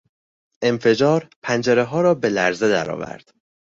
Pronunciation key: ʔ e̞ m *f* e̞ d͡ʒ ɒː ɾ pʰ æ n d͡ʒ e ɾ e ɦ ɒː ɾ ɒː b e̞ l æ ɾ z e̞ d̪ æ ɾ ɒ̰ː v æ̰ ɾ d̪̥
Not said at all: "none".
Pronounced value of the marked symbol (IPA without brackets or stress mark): f